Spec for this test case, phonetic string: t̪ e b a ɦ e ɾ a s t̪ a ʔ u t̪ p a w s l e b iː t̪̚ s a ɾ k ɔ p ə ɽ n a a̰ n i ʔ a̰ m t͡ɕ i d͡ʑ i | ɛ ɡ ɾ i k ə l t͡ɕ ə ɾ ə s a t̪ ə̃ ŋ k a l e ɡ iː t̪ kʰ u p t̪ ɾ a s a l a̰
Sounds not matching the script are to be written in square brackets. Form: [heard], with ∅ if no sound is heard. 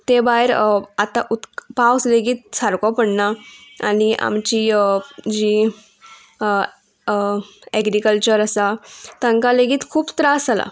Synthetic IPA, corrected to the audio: t̪ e b a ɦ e ɾ a [∅] t̪ a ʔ u t̪ p a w s l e [ɡ] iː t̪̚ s a ɾ k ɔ p ə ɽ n a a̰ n i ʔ a̰ m t͡ɕ i d͡ʑ i | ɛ ɡ ɾ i k ə l t͡ɕ ə ɾ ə s a t̪ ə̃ ŋ k a l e ɡ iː t̪ kʰ [uː] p t̪ ɾ a s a l a̰